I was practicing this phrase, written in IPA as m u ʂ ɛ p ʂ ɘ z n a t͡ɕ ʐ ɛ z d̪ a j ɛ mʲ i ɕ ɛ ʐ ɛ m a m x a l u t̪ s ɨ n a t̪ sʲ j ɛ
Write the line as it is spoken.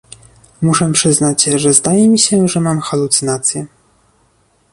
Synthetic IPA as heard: m u ʂ ɛ p ʂ ɘ z n a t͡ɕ ʐ ɛ z d̪ a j ɛ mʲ i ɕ ɛ ʐ ɛ m a m x a l u t̪ s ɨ n a t̪ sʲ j ɛ